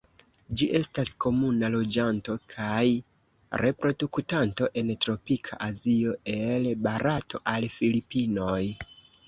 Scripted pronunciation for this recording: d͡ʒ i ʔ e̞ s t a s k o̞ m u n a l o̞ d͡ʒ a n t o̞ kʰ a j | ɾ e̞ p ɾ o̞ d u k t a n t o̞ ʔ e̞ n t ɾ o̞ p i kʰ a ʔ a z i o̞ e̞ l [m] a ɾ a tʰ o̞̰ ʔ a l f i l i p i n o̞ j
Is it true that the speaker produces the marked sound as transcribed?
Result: no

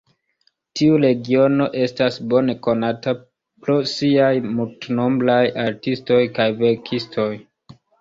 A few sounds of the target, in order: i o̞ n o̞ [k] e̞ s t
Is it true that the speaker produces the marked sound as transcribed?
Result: no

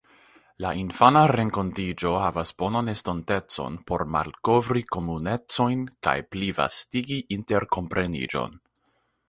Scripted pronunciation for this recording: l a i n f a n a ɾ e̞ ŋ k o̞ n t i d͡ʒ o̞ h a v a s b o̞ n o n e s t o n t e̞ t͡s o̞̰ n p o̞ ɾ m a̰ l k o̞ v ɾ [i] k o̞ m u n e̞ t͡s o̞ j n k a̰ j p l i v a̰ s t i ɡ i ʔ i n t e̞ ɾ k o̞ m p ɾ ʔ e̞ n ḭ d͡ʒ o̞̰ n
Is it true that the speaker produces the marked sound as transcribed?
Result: yes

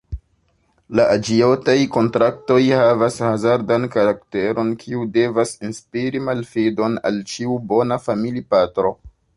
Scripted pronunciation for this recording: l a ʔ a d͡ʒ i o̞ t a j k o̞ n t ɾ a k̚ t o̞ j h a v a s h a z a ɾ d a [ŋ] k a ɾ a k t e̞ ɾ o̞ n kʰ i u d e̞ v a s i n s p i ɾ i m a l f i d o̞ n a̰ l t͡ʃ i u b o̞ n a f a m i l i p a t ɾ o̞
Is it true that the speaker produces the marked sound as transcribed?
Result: no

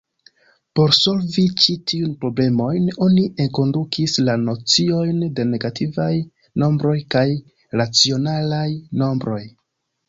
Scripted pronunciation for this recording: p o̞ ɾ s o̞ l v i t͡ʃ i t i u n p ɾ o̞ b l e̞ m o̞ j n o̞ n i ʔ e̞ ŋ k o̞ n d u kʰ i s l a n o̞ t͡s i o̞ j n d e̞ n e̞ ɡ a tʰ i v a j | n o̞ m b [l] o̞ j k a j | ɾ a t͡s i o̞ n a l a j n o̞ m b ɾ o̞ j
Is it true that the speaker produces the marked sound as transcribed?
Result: no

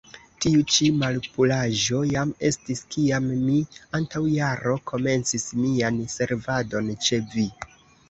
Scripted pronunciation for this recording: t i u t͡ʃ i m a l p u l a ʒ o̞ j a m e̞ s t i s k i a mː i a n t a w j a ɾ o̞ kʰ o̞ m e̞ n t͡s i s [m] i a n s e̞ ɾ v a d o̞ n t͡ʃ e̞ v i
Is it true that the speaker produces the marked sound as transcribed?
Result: yes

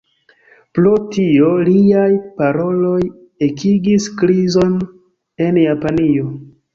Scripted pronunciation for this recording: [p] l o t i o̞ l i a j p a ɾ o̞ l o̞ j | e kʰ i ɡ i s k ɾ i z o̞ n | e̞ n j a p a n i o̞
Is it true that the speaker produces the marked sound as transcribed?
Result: yes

